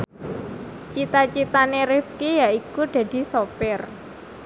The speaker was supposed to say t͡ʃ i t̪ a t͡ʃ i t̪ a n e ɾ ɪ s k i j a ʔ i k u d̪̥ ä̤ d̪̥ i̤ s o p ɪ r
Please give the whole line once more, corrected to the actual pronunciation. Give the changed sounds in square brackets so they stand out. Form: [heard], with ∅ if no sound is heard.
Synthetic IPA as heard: t͡ʃ i t̪ a t͡ʃ i t̪ a n e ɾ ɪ [f] k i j a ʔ i k u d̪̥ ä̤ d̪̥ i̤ s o p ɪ r